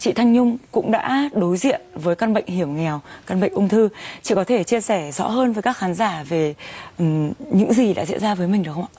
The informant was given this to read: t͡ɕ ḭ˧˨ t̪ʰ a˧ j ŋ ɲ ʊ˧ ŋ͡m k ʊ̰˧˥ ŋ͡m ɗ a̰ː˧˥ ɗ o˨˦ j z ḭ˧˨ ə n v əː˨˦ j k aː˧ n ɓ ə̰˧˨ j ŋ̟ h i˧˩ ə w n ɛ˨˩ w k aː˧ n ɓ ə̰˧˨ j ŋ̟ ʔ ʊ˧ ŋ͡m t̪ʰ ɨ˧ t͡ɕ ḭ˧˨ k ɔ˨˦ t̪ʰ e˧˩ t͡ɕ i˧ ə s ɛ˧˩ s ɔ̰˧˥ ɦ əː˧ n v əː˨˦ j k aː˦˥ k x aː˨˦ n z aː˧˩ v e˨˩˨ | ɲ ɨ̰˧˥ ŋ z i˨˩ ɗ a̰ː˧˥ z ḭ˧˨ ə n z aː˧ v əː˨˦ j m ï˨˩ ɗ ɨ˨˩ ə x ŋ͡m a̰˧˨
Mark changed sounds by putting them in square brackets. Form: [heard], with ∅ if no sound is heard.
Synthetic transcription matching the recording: t͡ɕ ḭ˧˨ t̪ʰ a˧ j ŋ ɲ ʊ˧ ŋ͡m k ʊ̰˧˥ ŋ͡m ɗ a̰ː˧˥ ɗ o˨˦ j z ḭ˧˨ ə n v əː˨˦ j k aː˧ n ɓ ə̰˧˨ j ŋ̟ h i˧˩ ə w [ŋ] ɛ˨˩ w k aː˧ n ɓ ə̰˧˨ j ŋ̟ ʔ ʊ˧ ŋ͡m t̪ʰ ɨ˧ t͡ɕ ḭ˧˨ k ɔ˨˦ t̪ʰ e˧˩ t͡ɕ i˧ ə s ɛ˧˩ [z] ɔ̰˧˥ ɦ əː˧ n v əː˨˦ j k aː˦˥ k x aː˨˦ n z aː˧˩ v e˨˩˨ | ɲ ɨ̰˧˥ ŋ z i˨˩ ɗ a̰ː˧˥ z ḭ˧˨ ə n z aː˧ v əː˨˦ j m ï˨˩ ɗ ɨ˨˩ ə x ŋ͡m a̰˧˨